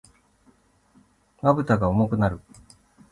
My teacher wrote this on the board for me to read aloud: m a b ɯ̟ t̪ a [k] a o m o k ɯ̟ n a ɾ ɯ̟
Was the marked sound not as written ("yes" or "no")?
yes